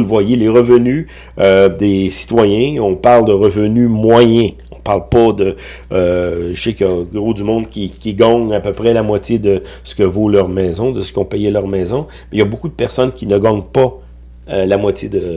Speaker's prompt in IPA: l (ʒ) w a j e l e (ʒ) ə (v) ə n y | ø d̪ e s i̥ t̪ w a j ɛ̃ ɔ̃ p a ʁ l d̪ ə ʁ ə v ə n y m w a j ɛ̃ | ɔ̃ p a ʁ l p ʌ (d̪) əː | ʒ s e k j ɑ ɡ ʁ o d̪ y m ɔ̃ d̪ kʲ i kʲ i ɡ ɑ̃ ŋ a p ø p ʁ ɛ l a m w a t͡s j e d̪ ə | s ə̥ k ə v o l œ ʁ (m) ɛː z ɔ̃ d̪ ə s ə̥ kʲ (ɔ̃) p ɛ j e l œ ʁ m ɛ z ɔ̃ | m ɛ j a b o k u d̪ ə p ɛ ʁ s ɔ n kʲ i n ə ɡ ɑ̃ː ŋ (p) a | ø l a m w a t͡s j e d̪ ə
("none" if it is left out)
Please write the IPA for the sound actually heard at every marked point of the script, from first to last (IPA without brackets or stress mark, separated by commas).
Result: v, ʁ, v, d̪, m, ɔ̃, p